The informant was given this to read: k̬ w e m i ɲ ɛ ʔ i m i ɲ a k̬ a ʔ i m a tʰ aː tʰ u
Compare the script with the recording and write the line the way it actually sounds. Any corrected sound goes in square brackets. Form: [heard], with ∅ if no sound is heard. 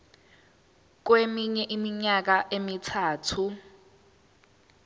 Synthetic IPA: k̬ w e m i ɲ ɛ ʔ i m i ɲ a k̬ a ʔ [e] m [i] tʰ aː tʰ u